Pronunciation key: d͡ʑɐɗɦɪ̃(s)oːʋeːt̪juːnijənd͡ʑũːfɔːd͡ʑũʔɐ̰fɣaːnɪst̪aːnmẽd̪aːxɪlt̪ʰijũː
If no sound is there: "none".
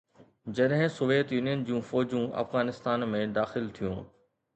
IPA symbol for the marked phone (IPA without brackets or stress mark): s